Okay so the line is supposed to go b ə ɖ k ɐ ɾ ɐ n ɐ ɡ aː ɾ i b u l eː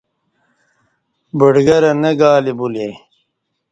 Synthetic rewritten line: b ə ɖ ɡ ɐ ɾ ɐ n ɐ ɡ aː l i b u l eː